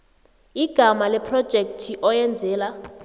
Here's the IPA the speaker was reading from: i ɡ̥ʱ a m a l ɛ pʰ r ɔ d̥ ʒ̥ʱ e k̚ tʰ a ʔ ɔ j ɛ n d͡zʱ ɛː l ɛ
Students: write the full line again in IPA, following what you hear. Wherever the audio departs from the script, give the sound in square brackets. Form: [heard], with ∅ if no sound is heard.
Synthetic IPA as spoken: i ɡ̥ʱ a m a l ɛ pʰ r ɔ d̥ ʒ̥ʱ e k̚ tʰ [i] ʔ ɔ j ɛ n d͡zʱ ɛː l [a]